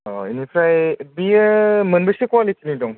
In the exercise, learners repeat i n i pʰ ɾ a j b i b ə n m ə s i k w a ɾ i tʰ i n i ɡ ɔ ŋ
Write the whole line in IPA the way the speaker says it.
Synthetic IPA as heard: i n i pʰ ɾ a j b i m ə n b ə s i k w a l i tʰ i n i d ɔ ŋ